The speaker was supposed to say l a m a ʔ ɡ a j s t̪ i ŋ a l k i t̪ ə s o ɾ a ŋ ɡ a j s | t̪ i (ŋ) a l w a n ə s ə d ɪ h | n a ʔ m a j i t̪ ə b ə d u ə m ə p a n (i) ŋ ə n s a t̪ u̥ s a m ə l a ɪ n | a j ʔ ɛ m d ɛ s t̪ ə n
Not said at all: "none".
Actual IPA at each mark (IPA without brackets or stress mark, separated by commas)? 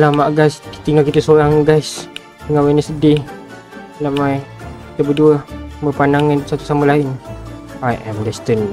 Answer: ŋ, a